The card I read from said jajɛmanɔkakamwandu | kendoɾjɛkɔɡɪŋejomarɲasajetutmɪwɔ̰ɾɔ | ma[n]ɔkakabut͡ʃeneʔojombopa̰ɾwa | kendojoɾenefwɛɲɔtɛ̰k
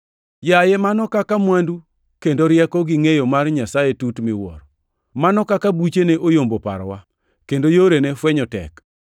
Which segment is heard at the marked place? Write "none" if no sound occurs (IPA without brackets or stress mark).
n